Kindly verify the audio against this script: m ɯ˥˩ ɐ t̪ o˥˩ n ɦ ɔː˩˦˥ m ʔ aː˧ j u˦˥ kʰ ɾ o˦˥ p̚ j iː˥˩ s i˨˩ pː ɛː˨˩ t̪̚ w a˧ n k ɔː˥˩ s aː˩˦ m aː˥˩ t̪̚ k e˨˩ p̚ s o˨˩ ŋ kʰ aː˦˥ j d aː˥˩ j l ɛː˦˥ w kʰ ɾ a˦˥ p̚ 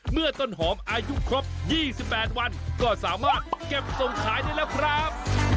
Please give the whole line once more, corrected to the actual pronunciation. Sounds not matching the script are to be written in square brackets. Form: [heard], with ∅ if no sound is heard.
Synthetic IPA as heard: m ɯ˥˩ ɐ t̪ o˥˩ n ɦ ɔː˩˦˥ m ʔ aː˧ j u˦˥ kʰ ɾ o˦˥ p̚ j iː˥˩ s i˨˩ pː ɛː˨˩ t̪̚ w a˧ n k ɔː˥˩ s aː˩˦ m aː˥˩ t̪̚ k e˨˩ p̚ s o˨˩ ŋ kʰ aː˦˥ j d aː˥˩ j l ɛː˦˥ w kʰ ɾ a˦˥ p̚